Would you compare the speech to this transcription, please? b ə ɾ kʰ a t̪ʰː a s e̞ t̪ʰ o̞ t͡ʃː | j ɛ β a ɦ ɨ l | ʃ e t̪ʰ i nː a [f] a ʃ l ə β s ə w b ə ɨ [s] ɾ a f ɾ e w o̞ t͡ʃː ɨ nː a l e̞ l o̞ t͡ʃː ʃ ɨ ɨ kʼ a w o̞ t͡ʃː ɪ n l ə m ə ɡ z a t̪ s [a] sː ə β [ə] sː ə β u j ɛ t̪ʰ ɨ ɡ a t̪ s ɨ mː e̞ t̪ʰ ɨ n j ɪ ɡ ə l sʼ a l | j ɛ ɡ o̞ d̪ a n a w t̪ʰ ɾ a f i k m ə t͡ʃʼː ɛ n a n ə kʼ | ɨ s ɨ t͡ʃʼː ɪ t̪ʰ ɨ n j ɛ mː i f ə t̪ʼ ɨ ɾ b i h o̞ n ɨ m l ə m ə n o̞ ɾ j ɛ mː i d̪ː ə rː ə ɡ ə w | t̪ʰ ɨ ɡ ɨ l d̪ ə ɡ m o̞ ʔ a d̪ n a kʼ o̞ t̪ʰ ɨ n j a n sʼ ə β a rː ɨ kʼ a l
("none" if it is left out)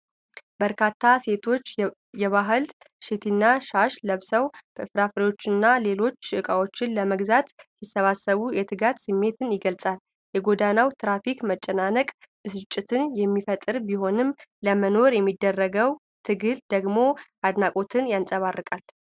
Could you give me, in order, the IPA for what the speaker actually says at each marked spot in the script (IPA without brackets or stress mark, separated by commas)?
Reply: ʃ, f, i, a